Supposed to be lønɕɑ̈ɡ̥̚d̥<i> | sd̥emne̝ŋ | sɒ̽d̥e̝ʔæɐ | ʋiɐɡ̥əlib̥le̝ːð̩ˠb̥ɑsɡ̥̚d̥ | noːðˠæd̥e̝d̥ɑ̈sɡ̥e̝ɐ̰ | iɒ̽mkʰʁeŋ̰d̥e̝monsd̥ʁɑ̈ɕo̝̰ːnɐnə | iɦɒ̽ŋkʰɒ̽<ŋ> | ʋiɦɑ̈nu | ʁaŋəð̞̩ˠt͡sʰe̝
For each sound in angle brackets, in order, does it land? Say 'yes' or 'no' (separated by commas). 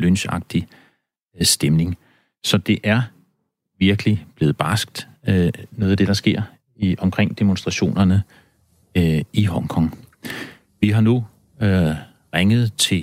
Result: yes, yes